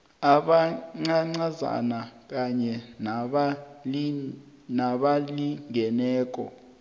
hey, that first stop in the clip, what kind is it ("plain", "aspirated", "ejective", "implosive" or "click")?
implosive